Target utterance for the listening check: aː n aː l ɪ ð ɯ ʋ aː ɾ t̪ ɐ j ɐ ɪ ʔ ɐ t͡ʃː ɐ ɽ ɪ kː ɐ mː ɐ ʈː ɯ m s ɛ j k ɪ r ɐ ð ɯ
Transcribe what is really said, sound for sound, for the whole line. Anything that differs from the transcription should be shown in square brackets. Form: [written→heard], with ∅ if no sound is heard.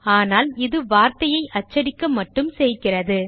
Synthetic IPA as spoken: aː n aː l ɪ ð ɯ ʋ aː ɾ t̪ ɐ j ɐ ɪ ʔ ɐ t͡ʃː ɐ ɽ ɪ kː ɐ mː ɐ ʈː ɯ m s ɛ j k ɪ r ɐ ð ɯ